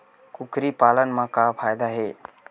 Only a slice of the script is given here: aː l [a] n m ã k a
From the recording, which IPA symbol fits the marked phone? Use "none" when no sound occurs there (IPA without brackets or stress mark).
ə